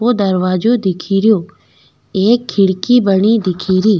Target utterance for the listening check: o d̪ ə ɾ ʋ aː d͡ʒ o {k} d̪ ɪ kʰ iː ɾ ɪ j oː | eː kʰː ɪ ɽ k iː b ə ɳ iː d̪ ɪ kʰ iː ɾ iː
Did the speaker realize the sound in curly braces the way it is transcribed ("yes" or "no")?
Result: no